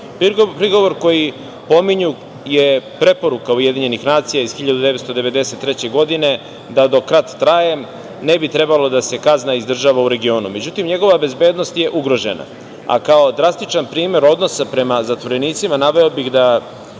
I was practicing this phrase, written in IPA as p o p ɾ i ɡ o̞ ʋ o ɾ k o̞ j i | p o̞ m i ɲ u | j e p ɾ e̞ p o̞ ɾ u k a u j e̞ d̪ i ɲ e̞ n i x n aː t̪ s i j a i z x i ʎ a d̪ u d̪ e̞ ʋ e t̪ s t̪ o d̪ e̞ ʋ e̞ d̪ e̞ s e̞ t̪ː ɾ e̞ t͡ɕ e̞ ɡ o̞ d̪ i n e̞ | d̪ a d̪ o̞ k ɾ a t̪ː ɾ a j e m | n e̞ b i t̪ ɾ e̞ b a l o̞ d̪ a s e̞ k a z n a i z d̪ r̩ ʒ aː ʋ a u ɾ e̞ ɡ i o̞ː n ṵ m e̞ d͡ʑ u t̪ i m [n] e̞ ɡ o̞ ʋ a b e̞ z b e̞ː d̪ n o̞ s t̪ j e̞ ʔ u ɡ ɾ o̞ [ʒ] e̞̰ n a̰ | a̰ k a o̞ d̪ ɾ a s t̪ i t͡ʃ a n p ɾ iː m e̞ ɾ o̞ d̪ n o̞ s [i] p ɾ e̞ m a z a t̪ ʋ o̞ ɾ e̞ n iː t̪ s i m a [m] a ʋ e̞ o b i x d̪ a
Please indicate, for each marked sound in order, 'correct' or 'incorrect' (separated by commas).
incorrect, correct, incorrect, incorrect